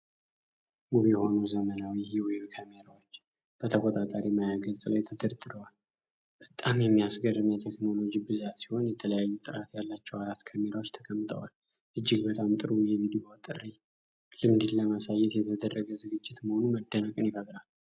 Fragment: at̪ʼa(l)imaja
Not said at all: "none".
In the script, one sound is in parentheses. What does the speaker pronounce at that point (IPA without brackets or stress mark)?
ɾ